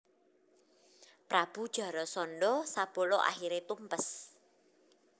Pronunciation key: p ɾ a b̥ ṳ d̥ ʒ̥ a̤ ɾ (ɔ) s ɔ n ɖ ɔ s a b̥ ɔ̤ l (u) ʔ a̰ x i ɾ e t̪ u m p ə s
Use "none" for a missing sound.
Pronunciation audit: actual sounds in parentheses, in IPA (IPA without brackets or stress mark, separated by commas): ɔ, ɔ